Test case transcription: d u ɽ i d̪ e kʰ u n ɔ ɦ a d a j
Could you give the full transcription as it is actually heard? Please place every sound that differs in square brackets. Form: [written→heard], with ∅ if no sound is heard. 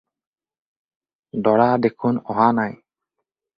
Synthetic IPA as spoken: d [u→ɔ] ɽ [i→a] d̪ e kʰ u n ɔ ɦ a [d→n] a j